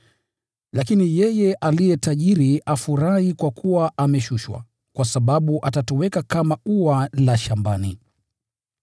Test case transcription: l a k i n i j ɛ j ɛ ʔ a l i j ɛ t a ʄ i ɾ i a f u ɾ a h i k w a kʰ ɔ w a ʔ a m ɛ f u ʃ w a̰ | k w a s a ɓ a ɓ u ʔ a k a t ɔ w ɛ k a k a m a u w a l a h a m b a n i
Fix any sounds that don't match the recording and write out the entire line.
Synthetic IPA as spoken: l a k i n i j ɛ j ɛ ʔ a l i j ɛ t a ʄ i ɾ i a f u ɾ a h i k w a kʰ u w a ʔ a m ɛ ʃ u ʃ w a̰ | k w a s a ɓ a ɓ u ʔ a t a t ɔ w ɛ k a k a m a u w a l a ʃ a m b a n i